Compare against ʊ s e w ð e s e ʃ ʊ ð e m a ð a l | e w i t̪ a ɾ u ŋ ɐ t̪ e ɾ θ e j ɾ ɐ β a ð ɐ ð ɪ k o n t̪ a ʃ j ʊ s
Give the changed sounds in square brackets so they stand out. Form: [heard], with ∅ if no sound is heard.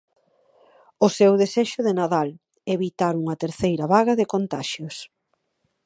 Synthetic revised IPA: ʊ s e w ð e s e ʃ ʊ ð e [n] a ð a l | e [β] i t̪ a ɾ u ŋ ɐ t̪ e ɾ θ e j ɾ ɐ β a [ɣ] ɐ ð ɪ k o n t̪ a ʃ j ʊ s